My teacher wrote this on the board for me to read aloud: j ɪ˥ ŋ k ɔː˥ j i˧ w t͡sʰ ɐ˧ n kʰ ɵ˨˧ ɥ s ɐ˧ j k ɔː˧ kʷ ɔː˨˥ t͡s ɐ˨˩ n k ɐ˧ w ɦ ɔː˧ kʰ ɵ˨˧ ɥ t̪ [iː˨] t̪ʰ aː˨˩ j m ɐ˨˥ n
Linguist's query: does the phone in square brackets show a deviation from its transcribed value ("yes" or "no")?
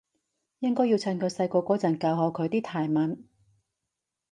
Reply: yes